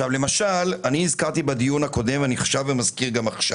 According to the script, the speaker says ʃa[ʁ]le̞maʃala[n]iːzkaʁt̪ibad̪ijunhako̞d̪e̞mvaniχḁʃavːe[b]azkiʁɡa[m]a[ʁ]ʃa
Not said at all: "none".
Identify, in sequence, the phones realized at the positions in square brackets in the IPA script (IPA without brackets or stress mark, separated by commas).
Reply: v, n, m, m, χ